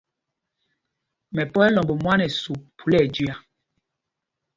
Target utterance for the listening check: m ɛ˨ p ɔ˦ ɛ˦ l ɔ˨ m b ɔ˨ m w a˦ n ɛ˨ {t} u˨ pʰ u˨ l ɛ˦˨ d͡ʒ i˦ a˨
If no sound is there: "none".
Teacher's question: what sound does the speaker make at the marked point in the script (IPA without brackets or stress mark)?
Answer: s